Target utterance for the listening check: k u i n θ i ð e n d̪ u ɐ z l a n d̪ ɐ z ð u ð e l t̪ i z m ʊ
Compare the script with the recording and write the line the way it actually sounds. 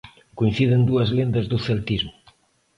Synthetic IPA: k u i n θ i ð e n d̪ u ɐ z l e n d̪ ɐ z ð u θ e l t̪ i z m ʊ